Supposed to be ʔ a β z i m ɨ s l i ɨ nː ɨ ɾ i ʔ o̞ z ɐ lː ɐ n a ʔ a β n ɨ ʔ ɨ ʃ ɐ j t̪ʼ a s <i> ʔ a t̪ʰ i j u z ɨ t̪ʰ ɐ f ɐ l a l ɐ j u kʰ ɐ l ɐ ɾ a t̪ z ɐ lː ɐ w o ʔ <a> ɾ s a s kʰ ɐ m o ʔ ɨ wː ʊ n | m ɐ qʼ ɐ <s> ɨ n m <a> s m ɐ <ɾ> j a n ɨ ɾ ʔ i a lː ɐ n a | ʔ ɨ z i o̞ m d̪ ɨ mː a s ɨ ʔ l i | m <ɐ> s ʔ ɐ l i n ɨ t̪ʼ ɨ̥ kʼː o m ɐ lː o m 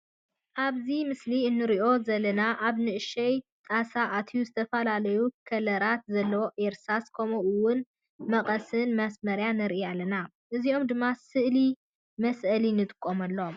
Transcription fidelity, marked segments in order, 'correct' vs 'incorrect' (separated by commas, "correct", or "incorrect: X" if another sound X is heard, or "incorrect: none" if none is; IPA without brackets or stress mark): incorrect: a, incorrect: e, correct, incorrect: ɐ, correct, correct